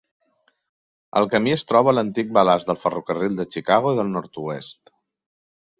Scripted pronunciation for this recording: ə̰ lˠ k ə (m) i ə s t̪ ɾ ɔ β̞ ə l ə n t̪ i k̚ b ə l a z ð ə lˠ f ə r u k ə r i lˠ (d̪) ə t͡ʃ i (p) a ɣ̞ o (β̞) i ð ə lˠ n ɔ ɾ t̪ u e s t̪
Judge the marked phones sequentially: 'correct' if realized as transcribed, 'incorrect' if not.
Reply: correct, correct, incorrect: k, incorrect: none

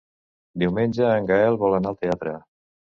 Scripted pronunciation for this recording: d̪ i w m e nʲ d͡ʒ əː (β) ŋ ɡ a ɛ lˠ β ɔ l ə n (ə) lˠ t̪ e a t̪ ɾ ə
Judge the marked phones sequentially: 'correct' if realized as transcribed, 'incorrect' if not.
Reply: incorrect: none, incorrect: a

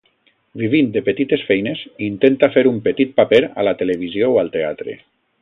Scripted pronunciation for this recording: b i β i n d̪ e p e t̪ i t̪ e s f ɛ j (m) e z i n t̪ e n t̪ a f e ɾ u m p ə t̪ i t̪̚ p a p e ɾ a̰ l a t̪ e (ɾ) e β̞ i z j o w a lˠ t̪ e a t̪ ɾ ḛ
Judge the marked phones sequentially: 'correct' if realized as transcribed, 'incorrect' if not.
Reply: incorrect: n, incorrect: l

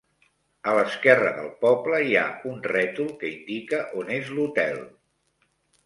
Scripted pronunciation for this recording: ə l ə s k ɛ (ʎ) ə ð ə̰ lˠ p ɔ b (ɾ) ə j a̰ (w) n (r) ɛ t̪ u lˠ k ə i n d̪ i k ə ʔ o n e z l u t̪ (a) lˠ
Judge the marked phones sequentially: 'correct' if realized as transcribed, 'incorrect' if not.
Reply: incorrect: r, incorrect: l, incorrect: u, correct, incorrect: ɛ

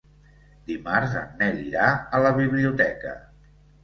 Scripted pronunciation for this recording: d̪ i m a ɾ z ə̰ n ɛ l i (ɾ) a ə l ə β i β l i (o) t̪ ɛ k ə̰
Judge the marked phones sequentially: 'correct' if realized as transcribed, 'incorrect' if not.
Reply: correct, incorrect: u

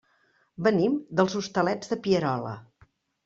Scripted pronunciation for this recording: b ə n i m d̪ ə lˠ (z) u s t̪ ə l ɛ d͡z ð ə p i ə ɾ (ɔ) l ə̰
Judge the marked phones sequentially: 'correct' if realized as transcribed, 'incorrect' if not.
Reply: correct, correct

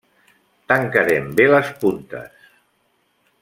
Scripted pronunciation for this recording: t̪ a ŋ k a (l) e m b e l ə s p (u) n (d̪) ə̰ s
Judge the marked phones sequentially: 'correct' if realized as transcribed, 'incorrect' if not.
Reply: incorrect: ɾ, correct, incorrect: t̪

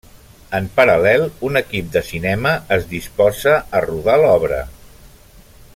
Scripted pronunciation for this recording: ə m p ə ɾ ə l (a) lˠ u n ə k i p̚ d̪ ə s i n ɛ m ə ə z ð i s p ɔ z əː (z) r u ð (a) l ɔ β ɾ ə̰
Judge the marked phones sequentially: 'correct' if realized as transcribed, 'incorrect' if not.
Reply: incorrect: ɛ, incorrect: none, correct

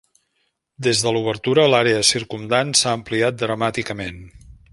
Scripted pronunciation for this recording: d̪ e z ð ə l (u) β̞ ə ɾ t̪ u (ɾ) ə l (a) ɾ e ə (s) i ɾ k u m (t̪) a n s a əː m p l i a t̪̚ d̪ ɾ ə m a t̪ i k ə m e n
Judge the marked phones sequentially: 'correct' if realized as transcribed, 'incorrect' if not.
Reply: correct, correct, correct, correct, incorrect: d̪

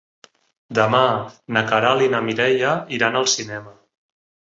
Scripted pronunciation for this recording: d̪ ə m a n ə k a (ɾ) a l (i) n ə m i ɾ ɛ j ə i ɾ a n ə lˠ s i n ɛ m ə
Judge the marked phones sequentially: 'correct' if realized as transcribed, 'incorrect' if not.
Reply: correct, correct

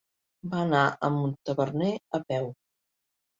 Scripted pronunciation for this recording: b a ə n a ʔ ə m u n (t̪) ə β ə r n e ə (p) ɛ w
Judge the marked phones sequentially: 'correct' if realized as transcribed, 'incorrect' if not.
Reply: correct, correct

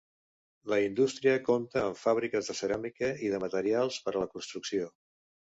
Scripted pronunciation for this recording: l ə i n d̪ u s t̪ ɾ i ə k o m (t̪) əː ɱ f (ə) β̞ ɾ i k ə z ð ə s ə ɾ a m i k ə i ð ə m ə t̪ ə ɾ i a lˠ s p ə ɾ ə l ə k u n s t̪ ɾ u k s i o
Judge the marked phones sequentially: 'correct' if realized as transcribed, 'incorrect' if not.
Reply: correct, incorrect: a

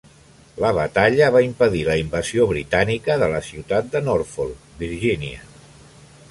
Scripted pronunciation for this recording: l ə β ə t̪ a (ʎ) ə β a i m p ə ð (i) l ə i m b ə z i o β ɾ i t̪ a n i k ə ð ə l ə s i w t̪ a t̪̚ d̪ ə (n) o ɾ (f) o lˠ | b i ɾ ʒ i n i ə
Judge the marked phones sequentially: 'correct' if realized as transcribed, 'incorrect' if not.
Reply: correct, correct, correct, correct

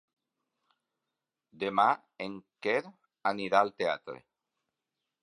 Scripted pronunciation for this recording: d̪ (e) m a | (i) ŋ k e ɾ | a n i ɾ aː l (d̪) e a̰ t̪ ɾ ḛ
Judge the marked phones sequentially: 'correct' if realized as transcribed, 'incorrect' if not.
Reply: correct, incorrect: e, incorrect: t̪

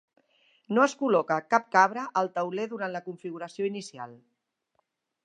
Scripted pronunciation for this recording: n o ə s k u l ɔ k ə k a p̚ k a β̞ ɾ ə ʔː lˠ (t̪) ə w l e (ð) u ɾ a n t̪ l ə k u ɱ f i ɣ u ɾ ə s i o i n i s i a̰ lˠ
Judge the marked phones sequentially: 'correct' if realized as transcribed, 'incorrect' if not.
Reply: correct, correct

